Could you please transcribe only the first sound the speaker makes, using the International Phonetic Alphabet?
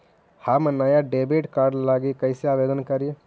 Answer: h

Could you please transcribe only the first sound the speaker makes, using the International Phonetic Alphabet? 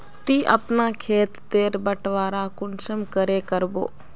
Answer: t̪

